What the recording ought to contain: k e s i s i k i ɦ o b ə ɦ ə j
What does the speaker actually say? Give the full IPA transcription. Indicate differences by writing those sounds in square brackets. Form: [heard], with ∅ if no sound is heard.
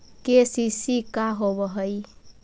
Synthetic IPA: k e s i s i k [a] ɦ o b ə ɦ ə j